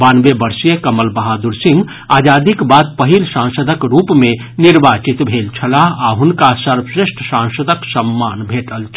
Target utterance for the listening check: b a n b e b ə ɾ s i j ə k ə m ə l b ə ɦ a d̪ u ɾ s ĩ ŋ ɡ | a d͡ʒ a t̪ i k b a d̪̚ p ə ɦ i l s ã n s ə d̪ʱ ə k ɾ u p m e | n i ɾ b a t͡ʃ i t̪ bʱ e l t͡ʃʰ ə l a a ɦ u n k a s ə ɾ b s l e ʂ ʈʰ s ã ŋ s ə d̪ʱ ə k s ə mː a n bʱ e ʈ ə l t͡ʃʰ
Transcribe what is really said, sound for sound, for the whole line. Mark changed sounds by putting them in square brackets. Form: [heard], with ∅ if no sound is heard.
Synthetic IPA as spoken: b a n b e b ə ɾ s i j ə k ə m ə l b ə ɦ a d̪ u ɾ s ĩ ŋ ɡ | a d͡ʒ a [d̪] i k b a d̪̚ p ə ɦ i l s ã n s ə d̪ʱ ə k ɾ u p m e | n i ɾ b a t͡ʃ i t̪ bʱ e l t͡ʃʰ ə l a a ɦ u n k a s ə ɾ b s [ɾ] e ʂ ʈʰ s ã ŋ s ə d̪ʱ ə k s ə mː a n bʱ e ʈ ə l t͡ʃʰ

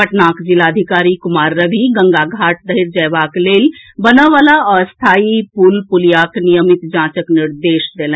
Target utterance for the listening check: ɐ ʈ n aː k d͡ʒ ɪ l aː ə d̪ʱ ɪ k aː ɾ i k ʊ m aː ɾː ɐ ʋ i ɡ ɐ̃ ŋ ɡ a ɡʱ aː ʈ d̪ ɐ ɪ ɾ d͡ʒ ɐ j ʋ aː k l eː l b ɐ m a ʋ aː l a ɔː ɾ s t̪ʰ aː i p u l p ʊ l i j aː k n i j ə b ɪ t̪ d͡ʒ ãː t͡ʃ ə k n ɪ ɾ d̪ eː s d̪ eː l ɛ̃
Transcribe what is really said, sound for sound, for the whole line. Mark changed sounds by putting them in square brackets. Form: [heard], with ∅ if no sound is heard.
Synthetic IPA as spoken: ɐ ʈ n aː k d͡ʒ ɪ l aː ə d̪ʱ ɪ k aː ɾ i k ʊ m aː ɾː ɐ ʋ i ɡ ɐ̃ ŋ ɡ a ɡʱ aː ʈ d̪ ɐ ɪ ɾ d͡ʒ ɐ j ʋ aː k l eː l b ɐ [n] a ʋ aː l a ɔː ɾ s t̪ʰ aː i p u l p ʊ l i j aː k n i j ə [m] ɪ t̪ d͡ʒ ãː t͡ʃ ə k n ɪ ɾ d̪ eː [ʃ] d̪ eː l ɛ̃

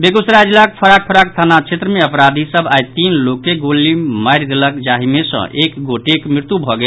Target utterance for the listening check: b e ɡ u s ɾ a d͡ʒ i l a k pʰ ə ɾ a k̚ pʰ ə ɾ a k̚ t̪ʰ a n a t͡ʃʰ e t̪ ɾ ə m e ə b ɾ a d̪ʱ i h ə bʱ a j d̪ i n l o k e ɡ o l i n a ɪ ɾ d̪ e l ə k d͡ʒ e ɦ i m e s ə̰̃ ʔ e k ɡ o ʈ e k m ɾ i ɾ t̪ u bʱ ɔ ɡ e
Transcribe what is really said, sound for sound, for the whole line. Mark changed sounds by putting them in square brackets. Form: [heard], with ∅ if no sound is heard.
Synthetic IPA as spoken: b e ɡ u s ɾ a d͡ʒ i l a k pʰ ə ɾ a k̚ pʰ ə ɾ a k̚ t̪ʰ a n a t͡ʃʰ e t̪ ɾ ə m e ə [p] ɾ a d̪ʱ i [s] ə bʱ a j [t̪] i n l o k e ɡ o l i [m] a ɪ ɾ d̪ e l ə k d͡ʒ [a] ɦ i m e s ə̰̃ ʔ e k ɡ o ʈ e k m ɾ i ɾ t̪ u bʱ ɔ ɡ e

